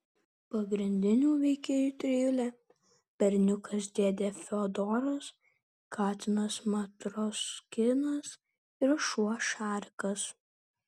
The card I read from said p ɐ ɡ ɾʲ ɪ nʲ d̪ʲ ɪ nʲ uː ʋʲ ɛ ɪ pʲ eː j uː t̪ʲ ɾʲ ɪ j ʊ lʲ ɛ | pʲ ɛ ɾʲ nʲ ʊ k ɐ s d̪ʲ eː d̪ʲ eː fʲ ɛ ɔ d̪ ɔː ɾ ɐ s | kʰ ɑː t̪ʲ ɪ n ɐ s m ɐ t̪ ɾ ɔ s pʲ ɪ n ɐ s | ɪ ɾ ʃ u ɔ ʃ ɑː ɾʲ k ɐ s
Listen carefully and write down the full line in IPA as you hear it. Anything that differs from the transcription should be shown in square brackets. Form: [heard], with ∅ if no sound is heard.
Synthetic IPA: p ɐ ɡ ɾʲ ɪ nʲ d̪ʲ ɪ nʲ uː ʋʲ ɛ ɪ [kʲ] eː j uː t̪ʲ ɾʲ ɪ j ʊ lʲ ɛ | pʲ ɛ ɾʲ nʲ ʊ k ɐ s d̪ʲ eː d̪ʲ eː fʲ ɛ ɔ d̪ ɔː ɾ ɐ s | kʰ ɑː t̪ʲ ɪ n ɐ s m ɐ t̪ ɾ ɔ s [kʲ] ɪ n ɐ s | ɪ ɾ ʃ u ɔ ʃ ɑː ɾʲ k ɐ s